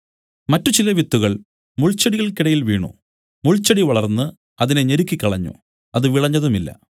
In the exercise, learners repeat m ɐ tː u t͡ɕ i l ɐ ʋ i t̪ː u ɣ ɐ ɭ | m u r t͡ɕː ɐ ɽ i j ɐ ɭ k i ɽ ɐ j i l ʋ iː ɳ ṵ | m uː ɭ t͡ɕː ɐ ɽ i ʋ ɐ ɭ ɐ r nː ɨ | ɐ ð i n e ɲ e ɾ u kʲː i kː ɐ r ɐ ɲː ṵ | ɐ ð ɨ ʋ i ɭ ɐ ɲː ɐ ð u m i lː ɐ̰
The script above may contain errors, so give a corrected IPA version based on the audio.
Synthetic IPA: m ɐ tː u t͡ɕ i l ɐ ʋ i t̪ː u ɣ ɐ ɭ | m u ɭ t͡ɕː ɐ ɽ i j ɐ ɭ k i ɽ ɐ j i l ʋ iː ɳ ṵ | m u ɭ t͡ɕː ɐ ɽ i ʋ ɐ ɭ ɐ r nː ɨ | ɐ ð i n e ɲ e ɾ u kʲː i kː ɐ ɭ ɐ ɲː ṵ | ɐ ð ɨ ʋ i ɭ ɐ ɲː ɐ ð u m i lː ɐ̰

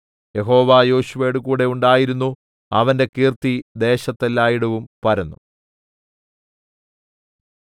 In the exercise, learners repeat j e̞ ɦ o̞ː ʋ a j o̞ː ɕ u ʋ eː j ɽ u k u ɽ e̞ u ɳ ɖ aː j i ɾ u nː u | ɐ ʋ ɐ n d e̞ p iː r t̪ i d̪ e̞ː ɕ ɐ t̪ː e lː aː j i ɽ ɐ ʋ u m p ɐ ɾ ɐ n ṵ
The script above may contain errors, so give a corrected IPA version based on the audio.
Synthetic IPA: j e̞ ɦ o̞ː ʋ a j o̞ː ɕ u ʋ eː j ɽ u k uː ɽ e̞ u ɳ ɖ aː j i ɾ u nː u | ɐ ʋ ɐ n d e̞ k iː r t̪ i d̪ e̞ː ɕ ɐ t̪ː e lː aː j i ɽ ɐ ʋ u m p ɐ ɾ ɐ nː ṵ

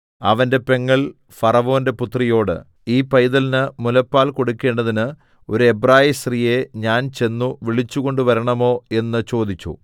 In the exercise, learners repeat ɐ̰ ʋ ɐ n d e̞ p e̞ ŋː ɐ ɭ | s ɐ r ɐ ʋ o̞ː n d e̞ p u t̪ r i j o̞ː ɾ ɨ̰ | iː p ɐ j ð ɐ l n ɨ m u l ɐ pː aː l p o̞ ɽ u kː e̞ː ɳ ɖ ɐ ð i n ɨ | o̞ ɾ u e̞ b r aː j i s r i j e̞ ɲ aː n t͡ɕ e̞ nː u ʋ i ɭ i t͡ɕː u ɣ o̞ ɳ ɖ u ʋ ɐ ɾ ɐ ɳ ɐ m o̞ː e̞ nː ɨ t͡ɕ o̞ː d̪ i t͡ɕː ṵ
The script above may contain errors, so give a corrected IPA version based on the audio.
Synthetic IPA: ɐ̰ ʋ ɐ n d e̞ p e̞ ŋː ɐ ɭ | f ɐ r ɐ ʋ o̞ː n d e̞ p u t̪ r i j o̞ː ɽ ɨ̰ | iː p ɐ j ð ɐ l n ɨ m u l ɐ pː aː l k o̞ ɽ u kː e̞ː ɳ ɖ ɐ ð i n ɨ | o̞ ɾ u e̞ b r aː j i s r i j e̞ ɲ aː n t͡ɕ e̞ nː u ʋ i ɭ i t͡ɕː u ɣ o̞ ɳ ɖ u ʋ ɐ ɾ ɐ ɳ ɐ m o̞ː e̞ nː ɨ t͡ɕ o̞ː d̪ i t͡ɕː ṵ

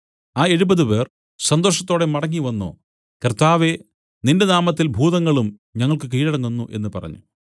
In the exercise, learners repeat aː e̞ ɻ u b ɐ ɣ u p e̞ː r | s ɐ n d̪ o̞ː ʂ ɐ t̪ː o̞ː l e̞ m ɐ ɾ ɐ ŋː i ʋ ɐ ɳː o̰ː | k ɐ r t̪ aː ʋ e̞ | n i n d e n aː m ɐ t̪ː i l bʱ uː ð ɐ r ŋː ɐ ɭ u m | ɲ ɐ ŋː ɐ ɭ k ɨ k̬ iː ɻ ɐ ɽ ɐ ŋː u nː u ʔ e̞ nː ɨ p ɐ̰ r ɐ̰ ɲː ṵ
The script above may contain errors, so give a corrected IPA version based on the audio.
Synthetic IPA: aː e̞ ɻ u b ɐ ð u p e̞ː r | s ɐ n d̪ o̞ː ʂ ɐ t̪ː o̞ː ɽ e̞ m ɐ ɽ ɐ ŋː i ʋ ɐ nː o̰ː | k ɐ r t̪ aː ʋ e̞ | n i n d e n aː m ɐ t̪ː i l bʱ uː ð ɐ ŋː ɐ ɭ u m | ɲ ɐ ŋː ɐ ɭ k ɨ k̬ iː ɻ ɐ ɽ ɐ ŋː u nː u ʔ e̞ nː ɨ p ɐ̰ r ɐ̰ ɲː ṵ

